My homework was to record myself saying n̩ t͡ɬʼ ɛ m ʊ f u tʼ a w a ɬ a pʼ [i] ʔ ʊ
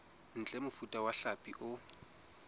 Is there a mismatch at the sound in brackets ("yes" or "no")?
no